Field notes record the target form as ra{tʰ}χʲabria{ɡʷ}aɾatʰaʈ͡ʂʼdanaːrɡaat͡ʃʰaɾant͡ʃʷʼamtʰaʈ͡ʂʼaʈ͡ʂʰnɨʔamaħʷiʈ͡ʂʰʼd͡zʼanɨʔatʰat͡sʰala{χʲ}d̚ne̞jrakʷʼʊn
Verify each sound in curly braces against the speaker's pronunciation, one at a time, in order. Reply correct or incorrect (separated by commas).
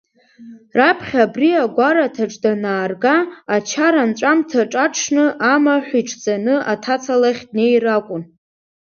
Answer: incorrect, correct, correct